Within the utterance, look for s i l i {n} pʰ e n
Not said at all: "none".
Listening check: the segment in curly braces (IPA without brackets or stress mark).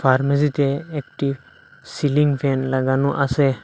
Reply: ŋ